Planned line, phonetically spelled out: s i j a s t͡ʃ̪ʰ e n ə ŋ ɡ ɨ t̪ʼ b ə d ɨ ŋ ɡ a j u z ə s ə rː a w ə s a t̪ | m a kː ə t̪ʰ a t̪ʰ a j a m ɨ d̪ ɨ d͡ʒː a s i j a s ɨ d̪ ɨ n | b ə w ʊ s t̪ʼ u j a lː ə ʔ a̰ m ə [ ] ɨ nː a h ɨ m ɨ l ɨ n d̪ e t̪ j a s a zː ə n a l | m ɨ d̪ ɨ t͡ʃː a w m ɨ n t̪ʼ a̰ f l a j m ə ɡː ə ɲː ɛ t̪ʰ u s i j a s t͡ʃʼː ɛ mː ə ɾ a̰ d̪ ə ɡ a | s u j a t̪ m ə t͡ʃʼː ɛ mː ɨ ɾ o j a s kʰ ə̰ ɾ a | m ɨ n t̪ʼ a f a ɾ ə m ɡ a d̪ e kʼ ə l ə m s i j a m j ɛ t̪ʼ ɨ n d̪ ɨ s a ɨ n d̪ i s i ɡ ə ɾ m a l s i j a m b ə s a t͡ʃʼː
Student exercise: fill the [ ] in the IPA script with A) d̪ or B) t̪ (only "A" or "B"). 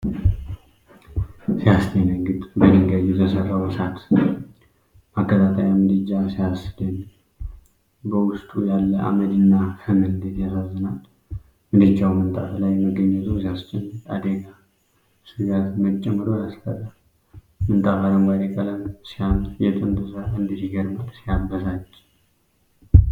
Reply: A